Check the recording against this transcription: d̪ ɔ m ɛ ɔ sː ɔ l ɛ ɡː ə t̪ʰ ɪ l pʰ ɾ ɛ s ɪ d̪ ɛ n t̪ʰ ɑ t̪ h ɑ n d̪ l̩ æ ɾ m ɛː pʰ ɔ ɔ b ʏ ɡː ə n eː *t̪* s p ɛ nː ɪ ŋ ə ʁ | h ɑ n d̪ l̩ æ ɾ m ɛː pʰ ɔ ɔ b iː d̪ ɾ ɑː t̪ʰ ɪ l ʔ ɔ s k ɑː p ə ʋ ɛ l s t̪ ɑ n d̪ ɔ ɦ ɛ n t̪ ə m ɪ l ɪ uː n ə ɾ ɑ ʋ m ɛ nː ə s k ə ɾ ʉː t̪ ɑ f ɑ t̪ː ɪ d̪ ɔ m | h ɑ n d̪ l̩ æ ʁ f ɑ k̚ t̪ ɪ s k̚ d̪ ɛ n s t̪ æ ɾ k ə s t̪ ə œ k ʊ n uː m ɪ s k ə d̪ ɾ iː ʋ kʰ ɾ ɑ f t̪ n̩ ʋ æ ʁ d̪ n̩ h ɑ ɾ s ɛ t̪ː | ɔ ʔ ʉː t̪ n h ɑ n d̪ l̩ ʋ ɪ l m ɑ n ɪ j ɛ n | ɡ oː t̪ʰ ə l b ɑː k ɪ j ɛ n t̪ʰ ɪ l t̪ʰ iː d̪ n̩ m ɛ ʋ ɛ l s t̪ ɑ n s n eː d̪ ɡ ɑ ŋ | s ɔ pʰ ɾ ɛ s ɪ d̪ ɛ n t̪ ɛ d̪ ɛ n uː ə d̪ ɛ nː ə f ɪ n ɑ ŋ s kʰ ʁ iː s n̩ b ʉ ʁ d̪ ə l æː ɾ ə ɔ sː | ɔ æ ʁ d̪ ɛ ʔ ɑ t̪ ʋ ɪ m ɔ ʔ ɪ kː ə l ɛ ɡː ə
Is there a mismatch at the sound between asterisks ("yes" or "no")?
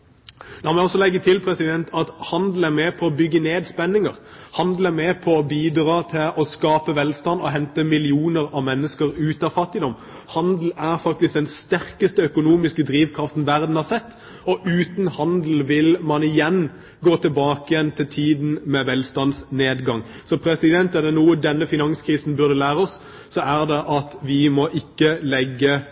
yes